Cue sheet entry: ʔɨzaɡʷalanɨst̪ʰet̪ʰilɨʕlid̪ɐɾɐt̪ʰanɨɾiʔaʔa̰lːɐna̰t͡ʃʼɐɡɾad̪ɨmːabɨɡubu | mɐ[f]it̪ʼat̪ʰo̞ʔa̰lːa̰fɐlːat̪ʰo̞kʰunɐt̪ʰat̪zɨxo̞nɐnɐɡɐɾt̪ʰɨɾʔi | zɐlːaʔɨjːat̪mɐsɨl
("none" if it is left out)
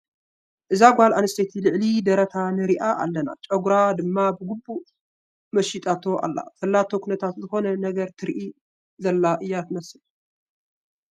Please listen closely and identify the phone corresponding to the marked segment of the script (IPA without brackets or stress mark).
ʃ